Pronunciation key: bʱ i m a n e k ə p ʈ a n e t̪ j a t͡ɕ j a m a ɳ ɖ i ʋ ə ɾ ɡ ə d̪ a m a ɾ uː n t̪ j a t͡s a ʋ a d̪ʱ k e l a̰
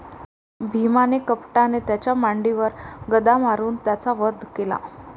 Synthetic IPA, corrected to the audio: bʱ i m a n e k ə p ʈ a n e t̪ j a t͡ɕ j a m a ɳ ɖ i ʋ ə ɾ ɡ ə d̪ a m a ɾ uː n t̪ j a t͡s a ʋ ə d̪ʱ k e l a̰